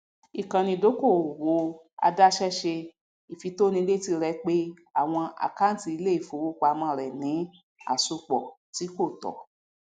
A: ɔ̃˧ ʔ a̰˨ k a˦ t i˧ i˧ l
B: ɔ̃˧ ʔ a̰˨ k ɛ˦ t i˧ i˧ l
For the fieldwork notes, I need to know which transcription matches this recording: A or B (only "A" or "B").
A